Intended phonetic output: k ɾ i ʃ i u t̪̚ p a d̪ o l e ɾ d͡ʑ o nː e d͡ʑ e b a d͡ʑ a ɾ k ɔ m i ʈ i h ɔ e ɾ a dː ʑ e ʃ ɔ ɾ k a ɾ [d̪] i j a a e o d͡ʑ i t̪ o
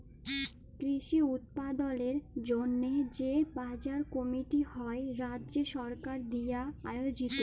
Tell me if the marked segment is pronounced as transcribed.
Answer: yes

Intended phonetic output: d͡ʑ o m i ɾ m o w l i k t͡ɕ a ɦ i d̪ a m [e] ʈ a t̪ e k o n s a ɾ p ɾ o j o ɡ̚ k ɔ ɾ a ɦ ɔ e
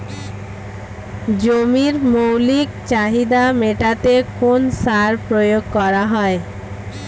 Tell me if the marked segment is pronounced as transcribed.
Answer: yes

